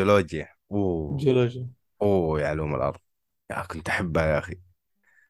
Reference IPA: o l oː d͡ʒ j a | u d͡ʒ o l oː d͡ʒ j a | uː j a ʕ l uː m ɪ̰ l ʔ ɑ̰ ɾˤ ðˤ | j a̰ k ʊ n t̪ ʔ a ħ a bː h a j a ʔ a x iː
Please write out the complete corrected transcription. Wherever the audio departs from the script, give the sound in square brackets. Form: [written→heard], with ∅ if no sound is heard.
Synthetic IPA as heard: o l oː d͡ʒ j a | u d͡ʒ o l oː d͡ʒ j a | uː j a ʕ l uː m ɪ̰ l ʔ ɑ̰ ɾˤ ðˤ | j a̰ k ʊ n t̪ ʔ a ħ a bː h a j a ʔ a x [iː→i]